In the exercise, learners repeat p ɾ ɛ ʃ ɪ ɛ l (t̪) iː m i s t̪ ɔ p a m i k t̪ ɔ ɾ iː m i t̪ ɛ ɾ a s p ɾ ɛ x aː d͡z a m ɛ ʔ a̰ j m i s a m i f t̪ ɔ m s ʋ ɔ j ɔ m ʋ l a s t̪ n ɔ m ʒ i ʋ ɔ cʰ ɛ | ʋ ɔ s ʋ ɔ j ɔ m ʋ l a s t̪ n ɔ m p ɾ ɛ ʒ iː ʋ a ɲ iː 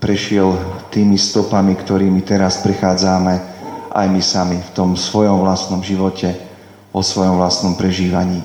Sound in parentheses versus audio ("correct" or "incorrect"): correct